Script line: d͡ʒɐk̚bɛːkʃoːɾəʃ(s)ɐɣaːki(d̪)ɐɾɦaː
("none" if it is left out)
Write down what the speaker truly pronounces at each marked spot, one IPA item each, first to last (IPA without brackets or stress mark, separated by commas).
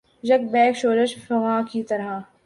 f, t̪